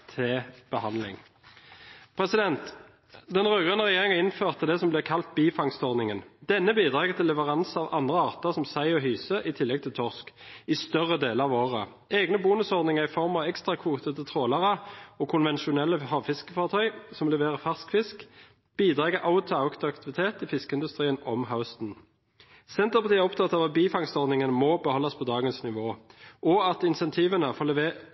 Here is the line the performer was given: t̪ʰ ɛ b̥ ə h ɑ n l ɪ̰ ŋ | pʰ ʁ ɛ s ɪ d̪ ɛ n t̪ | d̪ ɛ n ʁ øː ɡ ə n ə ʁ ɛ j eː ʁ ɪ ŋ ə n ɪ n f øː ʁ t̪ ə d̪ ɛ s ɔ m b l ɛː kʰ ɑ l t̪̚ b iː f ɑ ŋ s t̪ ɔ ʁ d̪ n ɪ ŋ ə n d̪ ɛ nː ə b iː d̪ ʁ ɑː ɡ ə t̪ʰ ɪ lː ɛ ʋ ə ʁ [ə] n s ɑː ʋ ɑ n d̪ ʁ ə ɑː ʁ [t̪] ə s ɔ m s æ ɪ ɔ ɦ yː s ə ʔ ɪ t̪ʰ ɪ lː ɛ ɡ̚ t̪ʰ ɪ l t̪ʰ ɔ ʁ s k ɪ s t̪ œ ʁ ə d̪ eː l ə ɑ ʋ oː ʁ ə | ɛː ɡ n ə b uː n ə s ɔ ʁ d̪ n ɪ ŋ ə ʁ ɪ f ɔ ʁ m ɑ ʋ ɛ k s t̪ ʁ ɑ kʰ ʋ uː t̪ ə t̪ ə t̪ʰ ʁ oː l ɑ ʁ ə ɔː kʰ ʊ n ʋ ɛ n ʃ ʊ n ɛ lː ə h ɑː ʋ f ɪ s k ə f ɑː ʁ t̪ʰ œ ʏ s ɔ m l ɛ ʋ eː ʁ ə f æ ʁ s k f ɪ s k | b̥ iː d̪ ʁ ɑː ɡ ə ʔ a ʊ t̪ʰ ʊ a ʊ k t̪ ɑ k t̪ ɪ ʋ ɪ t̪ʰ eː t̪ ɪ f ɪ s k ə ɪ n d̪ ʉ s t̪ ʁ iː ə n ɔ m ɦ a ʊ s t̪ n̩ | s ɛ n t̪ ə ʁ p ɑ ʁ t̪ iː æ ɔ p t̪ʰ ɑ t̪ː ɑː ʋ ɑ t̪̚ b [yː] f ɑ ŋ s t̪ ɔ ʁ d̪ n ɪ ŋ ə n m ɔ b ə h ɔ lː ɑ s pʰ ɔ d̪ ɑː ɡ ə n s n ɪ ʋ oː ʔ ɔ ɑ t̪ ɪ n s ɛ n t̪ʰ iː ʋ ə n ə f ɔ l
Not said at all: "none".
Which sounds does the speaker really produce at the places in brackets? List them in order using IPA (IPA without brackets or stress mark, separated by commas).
ɑ, t̪, iː